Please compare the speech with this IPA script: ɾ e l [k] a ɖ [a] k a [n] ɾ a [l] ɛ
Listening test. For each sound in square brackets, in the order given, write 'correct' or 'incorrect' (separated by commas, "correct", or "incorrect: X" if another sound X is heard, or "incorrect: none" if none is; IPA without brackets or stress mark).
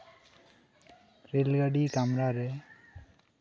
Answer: incorrect: ɡ, incorrect: i, incorrect: m, incorrect: ɾ